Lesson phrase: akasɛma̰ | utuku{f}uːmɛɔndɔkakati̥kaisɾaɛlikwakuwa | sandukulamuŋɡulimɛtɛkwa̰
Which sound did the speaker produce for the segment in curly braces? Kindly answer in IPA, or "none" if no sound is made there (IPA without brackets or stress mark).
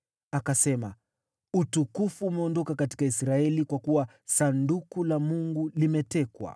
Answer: f